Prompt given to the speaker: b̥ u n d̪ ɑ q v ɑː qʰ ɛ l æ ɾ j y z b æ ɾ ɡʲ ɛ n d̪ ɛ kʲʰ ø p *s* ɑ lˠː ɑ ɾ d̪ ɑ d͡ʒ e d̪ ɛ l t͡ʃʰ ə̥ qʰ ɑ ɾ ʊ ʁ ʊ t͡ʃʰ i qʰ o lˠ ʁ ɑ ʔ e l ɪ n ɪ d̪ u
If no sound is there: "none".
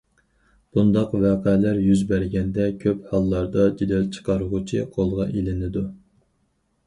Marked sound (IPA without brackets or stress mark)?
h